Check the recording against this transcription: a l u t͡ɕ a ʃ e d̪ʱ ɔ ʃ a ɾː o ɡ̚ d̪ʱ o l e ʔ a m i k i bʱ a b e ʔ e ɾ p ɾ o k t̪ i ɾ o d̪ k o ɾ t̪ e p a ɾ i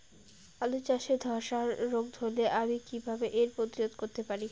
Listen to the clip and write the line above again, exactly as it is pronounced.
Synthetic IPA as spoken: a l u t͡ɕ a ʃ e d̪ʱ ɔ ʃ a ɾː o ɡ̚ d̪ʱ o l e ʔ a m i k i bʱ a b e ʔ e ɾ p ɾ o t̪ i ɾ o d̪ k o ɾ t̪ e p a ɾ i